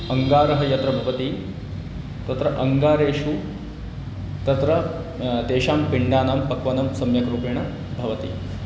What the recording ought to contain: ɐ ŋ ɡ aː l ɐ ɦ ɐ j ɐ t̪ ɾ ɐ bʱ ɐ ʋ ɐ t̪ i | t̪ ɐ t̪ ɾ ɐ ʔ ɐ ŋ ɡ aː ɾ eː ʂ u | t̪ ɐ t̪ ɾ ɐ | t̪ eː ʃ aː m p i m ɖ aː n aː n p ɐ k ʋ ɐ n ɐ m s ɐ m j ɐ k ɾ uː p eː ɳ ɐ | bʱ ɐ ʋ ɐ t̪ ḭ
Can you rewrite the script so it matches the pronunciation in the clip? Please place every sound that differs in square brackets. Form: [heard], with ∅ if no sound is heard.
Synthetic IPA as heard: ɐ ŋ ɡ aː [ɾ] ɐ ɦ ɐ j ɐ t̪ ɾ ɐ bʱ ɐ ʋ ɐ t̪ i | t̪ ɐ t̪ ɾ ɐ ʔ ɐ ŋ ɡ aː ɾ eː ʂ u | t̪ ɐ t̪ ɾ ɐ | t̪ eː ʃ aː m p i [ɳ] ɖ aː n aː [m] p ɐ k ʋ ɐ n ɐ m s ɐ m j ɐ k ɾ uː p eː ɳ ɐ | bʱ ɐ ʋ ɐ t̪ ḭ